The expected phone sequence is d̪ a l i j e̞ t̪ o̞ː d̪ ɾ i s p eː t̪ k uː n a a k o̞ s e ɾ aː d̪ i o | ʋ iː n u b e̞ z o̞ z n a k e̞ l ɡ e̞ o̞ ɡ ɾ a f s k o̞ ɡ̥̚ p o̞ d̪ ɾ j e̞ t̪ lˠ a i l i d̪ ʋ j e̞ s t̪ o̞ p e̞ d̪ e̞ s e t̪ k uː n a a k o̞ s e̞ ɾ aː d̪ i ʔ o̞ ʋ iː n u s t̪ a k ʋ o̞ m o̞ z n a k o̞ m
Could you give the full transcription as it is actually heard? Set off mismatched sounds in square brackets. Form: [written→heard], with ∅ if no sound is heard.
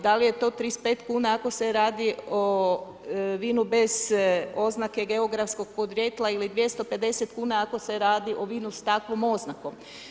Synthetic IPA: d̪ a l i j e̞ t̪ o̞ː [d̪→t̪] ɾ i s p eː t̪ k uː n a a k o̞ s e ɾ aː d̪ i o | ʋ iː n u b e̞ z o̞ z n a k e̞ [l→∅] ɡ e̞ o̞ ɡ ɾ a f s k o̞ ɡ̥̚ p o̞ d̪ ɾ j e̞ t̪ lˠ a i l i d̪ ʋ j e̞ s t̪ o̞ p e̞ d̪ e̞ s e t̪ k uː n a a k o̞ s e̞ ɾ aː d̪ i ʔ o̞ ʋ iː n u s t̪ a k ʋ o̞ m o̞ z n a k o̞ m